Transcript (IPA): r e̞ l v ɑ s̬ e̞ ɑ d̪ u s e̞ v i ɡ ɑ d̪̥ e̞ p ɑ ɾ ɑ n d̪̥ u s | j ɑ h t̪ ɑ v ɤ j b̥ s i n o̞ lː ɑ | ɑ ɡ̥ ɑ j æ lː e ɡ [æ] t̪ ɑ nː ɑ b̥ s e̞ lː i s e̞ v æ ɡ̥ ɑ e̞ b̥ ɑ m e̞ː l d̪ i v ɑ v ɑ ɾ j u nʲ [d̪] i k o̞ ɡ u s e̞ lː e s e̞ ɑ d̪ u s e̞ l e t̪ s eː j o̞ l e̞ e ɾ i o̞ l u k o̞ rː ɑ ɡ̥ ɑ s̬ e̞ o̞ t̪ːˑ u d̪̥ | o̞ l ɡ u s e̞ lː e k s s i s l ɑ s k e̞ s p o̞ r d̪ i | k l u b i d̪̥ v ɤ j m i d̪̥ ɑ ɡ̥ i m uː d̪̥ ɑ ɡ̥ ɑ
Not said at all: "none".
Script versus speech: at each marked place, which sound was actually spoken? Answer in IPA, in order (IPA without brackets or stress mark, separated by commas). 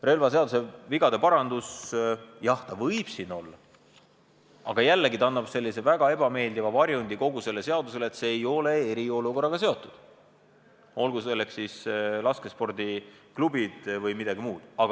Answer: i, d̪